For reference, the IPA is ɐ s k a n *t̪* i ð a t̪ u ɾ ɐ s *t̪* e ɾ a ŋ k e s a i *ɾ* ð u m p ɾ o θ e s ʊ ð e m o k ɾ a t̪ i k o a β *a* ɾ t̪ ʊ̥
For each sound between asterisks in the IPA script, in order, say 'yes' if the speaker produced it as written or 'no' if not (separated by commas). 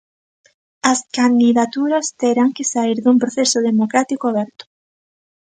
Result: no, yes, yes, no